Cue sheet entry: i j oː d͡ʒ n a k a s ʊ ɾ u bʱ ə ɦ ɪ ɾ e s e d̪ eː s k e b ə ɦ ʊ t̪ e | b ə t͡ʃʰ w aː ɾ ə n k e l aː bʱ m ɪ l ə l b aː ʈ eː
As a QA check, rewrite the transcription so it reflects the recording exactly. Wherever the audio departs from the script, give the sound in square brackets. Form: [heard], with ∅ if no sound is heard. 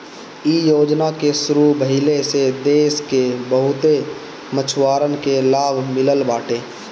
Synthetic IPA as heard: i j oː d͡ʒ n a k [e] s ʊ ɾ u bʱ ə ɦ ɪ [l] e s e d̪ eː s k e b ə ɦ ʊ t̪ e | [m] ə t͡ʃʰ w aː ɾ ə n k e l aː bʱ m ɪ l ə l b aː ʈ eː